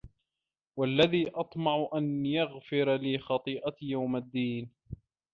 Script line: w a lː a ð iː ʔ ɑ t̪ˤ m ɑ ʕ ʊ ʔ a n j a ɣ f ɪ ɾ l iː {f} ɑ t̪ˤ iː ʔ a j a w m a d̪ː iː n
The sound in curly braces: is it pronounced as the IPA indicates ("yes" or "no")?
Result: no